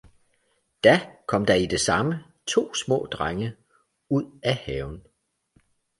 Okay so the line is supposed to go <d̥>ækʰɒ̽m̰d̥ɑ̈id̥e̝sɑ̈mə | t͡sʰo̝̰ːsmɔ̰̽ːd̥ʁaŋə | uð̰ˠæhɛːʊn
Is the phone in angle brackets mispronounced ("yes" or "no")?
no